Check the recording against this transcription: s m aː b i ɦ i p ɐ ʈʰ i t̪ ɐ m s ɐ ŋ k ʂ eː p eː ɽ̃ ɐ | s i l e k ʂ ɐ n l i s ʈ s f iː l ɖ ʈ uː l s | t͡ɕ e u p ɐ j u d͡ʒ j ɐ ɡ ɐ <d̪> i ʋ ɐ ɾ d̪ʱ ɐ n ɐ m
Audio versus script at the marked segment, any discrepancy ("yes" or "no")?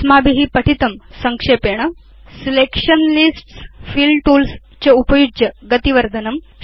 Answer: yes